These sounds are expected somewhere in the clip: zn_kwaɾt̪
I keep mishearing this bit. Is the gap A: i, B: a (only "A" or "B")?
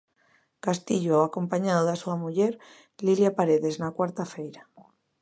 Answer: B